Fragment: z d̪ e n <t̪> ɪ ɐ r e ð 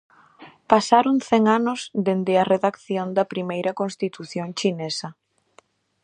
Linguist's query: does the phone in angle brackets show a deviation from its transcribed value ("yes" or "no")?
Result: yes